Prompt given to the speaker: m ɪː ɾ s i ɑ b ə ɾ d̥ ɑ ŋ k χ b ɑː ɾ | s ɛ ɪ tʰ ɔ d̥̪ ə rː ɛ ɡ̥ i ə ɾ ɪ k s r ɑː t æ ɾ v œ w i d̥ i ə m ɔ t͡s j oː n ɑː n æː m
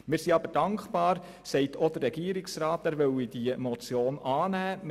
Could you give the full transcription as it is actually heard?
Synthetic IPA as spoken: m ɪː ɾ s i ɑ b ə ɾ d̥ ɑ ŋ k χ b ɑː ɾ | s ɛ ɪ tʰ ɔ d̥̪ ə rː ɛ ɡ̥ i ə ɾ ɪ k s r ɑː t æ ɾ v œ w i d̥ i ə m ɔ t͡s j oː n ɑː n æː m